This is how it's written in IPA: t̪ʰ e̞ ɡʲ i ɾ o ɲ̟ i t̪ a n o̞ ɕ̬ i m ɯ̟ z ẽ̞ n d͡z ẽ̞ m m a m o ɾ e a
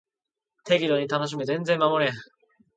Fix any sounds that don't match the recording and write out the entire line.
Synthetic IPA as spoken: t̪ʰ e̞ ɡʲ i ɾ o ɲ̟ i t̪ a n o̞ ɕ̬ i m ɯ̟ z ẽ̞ n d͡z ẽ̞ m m a m o ɾ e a